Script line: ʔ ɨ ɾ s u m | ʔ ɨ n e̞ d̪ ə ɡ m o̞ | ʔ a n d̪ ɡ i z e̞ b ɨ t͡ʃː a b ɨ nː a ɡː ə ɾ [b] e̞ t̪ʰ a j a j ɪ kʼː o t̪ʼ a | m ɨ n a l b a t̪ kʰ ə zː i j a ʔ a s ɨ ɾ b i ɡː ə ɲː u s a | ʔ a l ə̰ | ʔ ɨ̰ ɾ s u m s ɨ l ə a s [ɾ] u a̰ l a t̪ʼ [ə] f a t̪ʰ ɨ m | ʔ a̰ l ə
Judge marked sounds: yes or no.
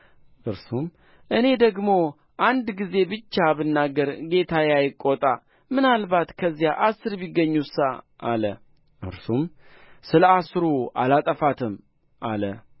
no, yes, yes

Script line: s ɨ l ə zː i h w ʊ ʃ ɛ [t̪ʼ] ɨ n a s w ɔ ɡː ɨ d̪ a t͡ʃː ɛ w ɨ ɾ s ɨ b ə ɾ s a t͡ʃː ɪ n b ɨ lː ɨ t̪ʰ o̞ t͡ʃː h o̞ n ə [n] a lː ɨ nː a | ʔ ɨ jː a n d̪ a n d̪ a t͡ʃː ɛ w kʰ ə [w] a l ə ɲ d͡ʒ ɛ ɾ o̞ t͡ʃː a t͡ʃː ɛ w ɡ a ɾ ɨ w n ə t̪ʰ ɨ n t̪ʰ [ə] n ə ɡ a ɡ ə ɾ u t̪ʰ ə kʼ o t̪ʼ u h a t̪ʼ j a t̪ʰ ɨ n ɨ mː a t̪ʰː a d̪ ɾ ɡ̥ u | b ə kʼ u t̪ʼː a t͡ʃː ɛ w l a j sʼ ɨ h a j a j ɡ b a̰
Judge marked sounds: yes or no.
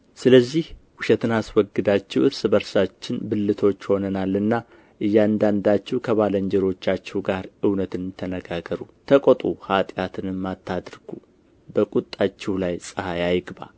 no, yes, no, yes

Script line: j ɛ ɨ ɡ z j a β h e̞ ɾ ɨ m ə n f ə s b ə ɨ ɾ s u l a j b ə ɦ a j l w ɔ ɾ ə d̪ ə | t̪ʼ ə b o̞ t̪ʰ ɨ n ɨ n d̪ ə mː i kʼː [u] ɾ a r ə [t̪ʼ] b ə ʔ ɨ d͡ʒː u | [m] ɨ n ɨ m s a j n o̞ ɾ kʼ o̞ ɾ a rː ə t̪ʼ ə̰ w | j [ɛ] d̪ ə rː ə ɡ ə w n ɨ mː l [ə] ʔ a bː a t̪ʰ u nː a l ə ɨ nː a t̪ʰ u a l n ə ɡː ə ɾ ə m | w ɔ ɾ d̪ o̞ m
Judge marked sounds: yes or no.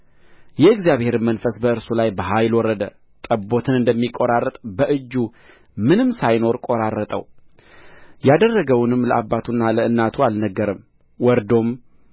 no, yes, yes, no, yes

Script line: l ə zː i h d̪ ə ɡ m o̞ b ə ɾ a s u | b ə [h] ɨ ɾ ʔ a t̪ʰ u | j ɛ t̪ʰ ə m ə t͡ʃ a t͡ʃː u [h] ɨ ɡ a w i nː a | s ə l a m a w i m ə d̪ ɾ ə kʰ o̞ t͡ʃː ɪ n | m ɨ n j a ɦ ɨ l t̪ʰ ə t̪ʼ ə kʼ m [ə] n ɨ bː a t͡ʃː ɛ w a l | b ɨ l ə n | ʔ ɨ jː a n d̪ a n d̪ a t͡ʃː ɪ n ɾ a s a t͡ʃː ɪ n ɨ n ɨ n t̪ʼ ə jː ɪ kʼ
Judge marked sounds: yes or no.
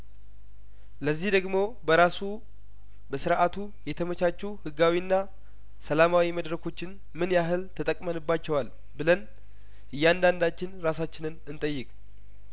no, yes, yes

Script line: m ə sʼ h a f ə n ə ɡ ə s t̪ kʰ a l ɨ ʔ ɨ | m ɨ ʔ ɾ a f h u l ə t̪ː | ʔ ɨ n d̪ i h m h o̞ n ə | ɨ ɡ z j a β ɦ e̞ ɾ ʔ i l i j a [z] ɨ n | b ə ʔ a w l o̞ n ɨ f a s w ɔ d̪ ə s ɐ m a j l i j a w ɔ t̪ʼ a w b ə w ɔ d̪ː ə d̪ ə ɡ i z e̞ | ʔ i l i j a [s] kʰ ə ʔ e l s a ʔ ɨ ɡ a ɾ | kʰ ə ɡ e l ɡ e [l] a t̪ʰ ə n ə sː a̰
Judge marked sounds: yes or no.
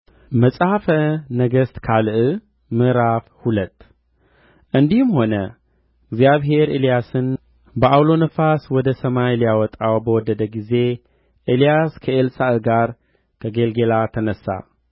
no, yes, yes

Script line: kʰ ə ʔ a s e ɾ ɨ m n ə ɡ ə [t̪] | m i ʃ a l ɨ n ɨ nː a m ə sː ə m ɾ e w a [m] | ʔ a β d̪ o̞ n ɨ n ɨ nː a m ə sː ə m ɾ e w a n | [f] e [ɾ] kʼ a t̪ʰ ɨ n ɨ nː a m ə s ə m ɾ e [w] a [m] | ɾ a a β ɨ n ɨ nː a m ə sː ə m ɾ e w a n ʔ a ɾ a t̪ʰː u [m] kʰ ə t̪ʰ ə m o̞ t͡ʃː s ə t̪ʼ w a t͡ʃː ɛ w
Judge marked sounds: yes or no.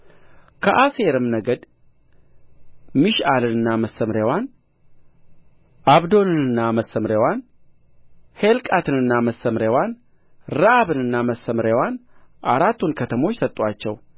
no, no, no, no, yes, no, no

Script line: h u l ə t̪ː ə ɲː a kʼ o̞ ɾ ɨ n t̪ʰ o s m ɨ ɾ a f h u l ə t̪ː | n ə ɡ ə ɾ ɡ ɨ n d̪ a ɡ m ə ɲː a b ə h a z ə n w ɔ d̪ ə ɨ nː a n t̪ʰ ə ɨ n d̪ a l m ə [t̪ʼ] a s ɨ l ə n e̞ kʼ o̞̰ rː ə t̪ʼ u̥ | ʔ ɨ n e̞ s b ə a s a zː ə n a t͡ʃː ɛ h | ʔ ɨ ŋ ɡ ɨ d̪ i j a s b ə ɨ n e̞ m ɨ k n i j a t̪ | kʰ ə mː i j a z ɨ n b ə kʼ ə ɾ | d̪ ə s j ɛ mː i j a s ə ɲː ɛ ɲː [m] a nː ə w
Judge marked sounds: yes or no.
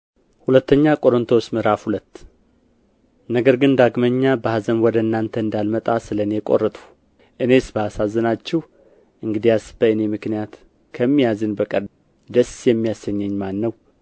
yes, yes

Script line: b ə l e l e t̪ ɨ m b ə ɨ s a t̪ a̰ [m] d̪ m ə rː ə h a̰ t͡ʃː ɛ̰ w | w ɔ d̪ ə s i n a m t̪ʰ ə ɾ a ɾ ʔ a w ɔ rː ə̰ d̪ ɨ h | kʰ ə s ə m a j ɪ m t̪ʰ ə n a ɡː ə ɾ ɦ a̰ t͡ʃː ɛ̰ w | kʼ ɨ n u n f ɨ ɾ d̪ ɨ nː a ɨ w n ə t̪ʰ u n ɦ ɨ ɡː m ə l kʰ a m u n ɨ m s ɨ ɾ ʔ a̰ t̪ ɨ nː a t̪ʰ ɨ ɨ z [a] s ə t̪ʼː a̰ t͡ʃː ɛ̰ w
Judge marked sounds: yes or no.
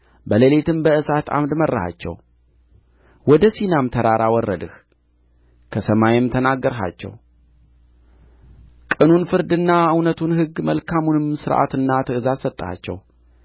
yes, yes

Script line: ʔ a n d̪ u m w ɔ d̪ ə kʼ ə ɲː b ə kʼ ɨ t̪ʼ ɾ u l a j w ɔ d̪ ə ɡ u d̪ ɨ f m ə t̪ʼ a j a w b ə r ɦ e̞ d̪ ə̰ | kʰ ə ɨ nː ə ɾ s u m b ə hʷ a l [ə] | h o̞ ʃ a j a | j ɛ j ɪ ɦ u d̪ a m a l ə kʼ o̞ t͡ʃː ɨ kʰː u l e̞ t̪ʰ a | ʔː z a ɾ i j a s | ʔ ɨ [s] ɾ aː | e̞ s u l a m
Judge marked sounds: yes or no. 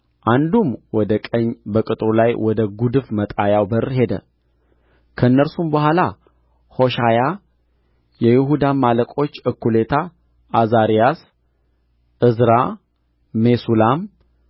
no, no

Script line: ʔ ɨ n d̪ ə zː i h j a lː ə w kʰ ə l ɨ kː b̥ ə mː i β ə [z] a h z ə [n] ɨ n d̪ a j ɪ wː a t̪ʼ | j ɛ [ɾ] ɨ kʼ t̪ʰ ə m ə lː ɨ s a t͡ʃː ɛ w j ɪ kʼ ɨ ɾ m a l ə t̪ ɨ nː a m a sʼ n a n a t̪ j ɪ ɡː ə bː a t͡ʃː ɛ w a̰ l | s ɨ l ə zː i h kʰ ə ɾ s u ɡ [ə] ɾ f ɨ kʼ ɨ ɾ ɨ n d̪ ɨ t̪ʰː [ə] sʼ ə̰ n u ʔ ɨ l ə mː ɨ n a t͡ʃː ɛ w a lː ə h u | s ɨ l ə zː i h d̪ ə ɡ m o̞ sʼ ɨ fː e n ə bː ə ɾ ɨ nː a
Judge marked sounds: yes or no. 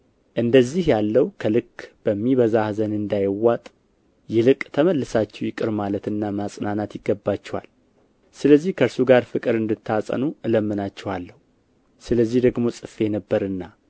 yes, yes, no, no, no

